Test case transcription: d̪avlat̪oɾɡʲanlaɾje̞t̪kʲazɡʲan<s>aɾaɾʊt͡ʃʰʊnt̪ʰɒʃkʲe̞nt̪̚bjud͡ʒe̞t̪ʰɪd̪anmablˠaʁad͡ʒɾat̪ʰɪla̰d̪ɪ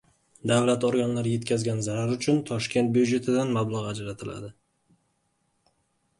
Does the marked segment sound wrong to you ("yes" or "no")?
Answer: yes